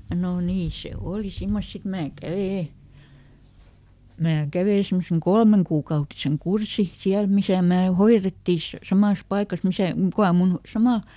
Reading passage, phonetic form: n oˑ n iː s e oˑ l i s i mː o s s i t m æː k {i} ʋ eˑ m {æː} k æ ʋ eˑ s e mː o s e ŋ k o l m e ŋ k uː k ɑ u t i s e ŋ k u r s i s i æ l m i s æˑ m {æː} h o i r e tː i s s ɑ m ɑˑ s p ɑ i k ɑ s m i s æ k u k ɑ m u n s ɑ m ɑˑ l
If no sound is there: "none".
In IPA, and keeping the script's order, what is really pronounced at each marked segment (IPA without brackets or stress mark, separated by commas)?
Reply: æ, æː, æː